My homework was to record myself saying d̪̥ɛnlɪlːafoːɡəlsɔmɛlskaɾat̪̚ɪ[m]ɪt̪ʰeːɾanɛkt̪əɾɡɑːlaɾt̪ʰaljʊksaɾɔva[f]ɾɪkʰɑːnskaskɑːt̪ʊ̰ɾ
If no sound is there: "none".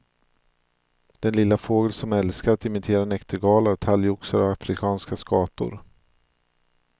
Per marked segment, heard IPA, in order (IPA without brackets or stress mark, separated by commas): m, f